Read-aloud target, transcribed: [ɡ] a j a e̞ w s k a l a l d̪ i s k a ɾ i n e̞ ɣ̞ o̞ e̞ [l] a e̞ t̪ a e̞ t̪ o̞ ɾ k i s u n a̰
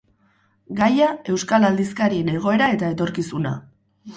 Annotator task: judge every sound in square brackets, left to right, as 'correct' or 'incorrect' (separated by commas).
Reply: correct, incorrect